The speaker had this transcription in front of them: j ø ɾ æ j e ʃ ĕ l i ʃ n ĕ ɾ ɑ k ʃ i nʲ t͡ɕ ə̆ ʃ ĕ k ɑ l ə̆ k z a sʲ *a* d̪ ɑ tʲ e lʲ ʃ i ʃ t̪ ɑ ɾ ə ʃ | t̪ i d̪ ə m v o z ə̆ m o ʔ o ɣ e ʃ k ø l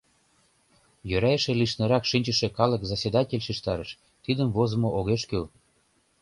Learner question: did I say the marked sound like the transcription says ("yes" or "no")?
no